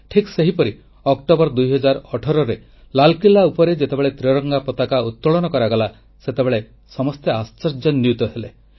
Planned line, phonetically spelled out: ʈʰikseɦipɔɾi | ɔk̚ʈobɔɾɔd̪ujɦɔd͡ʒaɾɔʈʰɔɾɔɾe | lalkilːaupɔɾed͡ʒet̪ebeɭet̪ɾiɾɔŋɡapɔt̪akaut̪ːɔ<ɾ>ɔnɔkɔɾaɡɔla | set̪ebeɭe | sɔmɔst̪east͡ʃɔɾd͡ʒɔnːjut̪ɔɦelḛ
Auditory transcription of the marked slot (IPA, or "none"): ɭ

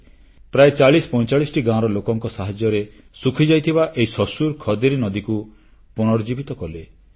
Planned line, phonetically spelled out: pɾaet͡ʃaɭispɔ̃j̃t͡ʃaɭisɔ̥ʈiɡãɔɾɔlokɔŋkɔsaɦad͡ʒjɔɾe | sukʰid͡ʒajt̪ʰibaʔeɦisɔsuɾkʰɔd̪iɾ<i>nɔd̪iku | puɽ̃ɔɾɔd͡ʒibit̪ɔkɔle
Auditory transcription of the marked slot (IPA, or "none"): i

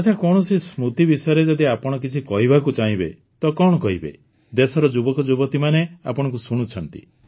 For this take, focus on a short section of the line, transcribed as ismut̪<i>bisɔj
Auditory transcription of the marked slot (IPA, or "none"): i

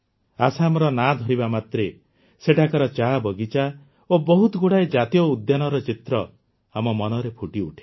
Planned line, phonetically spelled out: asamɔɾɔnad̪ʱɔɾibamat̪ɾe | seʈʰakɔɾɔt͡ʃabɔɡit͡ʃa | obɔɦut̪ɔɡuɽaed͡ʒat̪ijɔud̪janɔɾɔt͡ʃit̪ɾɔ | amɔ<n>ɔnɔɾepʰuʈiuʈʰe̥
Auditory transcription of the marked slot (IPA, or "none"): m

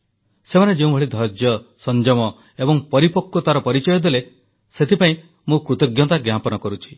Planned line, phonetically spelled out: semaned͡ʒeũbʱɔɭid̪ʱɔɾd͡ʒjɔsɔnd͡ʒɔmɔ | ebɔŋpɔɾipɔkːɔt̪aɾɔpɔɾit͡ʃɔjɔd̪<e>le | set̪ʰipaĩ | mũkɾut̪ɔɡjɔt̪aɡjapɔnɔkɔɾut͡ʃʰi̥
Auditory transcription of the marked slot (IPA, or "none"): e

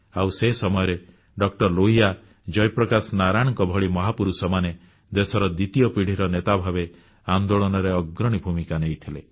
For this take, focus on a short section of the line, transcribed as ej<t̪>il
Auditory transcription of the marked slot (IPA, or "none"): t̪ʰ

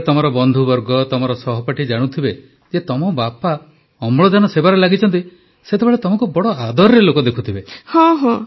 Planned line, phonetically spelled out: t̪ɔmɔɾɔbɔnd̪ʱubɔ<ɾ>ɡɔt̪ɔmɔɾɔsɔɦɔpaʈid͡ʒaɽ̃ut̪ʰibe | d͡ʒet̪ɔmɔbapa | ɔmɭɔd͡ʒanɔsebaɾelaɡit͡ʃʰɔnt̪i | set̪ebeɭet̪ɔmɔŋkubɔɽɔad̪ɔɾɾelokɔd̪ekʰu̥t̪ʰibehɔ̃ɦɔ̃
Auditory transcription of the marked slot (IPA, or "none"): ɾ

